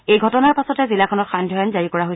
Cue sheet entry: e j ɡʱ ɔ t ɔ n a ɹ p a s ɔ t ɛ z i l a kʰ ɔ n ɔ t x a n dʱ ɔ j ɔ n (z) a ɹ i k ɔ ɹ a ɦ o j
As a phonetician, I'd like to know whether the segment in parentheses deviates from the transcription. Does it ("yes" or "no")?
no